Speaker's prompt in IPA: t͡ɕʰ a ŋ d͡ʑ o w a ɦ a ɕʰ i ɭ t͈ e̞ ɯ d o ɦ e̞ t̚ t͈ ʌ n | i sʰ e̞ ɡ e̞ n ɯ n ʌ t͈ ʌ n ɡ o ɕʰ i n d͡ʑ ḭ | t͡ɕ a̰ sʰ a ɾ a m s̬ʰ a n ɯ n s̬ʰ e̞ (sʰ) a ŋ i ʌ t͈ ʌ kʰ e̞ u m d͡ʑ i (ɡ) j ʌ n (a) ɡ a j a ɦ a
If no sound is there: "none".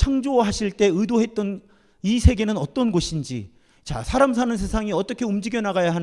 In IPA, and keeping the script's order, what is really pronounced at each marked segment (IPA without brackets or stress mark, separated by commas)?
sʰ, ɡ, a